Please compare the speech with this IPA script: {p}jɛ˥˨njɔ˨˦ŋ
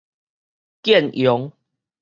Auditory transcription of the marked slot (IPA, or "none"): k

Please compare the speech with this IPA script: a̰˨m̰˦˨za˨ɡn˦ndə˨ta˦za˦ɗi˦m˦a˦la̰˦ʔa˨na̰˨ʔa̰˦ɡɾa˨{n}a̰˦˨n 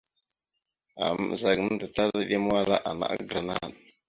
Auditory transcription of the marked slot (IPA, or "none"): n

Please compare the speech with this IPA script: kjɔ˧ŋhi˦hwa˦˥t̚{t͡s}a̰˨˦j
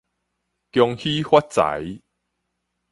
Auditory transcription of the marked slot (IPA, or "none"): t͡s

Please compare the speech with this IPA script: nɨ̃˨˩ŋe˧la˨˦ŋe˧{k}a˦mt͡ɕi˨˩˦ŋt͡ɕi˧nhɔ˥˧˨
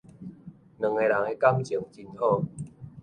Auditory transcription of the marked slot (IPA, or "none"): k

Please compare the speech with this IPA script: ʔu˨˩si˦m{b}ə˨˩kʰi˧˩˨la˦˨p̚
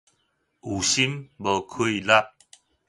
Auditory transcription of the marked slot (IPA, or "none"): b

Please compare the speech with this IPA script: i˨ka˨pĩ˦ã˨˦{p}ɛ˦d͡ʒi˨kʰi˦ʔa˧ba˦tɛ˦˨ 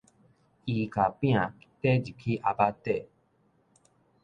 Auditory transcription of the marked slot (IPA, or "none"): t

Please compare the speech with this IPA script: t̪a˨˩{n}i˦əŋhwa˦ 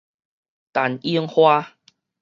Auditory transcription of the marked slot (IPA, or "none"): n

